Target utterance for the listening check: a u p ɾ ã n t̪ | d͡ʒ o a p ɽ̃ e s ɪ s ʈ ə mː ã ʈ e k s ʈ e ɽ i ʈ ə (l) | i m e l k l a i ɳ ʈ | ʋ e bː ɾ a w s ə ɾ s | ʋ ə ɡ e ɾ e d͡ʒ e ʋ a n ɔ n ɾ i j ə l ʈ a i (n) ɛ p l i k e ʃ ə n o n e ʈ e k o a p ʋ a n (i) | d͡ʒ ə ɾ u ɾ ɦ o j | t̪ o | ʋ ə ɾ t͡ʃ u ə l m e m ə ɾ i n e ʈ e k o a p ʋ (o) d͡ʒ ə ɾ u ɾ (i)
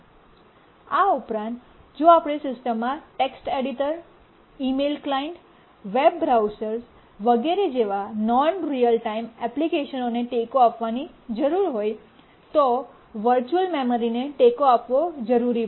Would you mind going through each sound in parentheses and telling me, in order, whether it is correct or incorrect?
incorrect: ɾ, incorrect: m, correct, correct, correct

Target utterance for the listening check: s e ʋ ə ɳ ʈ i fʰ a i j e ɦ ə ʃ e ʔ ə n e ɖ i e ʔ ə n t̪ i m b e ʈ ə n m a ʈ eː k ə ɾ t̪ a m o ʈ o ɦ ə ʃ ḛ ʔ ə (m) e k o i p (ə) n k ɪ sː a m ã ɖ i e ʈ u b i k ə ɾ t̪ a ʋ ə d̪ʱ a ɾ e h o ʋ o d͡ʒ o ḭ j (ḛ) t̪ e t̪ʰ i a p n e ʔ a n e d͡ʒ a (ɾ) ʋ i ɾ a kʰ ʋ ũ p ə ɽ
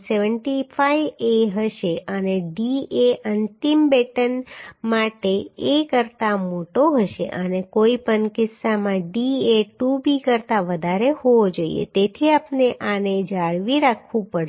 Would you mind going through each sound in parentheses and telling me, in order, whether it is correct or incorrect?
incorrect: n, correct, correct, incorrect: ɭ

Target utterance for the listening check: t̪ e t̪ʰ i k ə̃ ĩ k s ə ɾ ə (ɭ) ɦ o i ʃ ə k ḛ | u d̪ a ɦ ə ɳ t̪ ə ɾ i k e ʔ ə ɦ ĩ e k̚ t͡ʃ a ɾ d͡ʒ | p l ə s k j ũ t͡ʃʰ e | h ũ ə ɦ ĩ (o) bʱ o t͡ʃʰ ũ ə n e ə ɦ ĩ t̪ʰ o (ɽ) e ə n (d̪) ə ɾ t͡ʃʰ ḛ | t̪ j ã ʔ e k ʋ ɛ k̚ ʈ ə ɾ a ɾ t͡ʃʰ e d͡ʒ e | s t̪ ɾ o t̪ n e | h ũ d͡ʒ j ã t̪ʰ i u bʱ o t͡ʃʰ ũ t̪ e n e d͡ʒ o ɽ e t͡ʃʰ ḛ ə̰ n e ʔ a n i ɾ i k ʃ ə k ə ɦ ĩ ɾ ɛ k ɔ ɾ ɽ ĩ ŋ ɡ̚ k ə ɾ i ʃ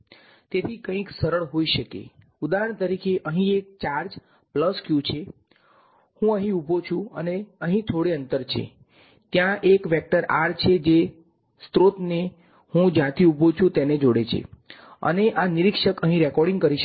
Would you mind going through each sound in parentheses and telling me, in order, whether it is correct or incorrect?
correct, incorrect: u, correct, incorrect: t̪

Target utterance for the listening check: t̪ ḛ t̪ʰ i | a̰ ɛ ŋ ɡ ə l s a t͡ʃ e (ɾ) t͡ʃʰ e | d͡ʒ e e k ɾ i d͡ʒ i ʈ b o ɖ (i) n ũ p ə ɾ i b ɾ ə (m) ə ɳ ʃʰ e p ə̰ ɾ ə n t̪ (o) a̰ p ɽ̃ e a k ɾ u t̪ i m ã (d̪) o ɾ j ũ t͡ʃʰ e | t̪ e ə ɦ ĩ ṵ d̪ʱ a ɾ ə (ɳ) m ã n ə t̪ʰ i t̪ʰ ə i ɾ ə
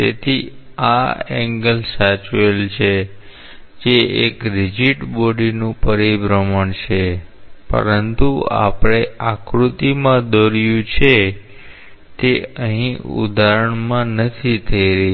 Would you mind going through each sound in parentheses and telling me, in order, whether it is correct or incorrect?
incorrect: l, correct, correct, incorrect: u, correct, correct

